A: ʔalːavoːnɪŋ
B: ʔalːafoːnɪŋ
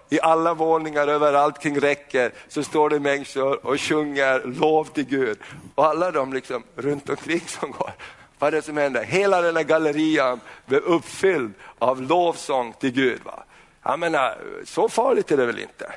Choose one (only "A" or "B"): A